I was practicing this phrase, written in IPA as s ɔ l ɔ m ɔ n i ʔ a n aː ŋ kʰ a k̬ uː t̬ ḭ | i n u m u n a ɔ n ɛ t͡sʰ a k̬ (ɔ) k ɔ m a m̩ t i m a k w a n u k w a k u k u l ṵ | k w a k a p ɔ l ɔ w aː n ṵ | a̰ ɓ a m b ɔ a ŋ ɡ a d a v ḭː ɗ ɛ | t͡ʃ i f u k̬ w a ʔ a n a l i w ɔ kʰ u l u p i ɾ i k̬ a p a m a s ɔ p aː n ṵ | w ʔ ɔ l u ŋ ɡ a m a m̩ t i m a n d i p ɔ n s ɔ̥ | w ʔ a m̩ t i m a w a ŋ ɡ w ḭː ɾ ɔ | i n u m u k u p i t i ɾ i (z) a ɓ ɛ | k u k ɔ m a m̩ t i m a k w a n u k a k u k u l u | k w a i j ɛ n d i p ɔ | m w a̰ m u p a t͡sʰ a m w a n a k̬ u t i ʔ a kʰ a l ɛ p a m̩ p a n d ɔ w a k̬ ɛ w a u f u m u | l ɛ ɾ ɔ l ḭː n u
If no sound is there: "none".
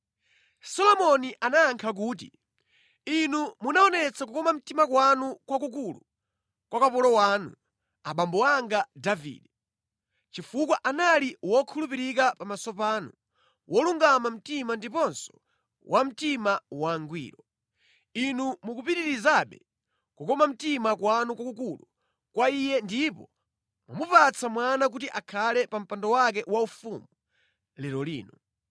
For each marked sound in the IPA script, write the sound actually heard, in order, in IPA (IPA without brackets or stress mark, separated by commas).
u, z